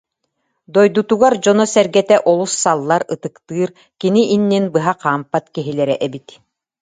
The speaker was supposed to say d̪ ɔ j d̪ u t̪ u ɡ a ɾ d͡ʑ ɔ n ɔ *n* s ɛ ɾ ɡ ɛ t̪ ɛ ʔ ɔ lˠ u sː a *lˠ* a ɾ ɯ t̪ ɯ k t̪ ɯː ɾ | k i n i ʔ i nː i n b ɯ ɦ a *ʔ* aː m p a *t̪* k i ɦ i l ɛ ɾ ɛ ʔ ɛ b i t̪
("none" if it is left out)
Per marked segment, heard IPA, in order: none, lˠː, q, t̪

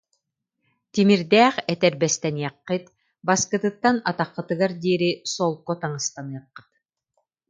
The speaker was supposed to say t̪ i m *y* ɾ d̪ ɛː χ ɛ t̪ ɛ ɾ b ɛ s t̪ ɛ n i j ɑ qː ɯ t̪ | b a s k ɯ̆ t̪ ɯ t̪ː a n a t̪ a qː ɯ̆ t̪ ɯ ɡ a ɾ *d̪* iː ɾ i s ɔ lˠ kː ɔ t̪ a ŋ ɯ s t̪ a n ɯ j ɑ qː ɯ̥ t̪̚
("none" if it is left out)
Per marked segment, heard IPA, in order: i, d̪

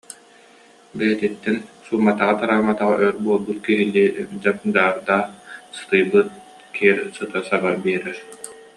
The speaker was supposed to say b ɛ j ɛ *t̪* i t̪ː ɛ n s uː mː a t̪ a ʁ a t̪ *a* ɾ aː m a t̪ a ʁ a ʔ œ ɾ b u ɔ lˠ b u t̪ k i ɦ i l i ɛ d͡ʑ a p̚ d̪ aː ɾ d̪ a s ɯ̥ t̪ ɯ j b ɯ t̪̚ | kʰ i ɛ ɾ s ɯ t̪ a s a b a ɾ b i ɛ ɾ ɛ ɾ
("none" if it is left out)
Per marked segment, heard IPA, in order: t̪, a

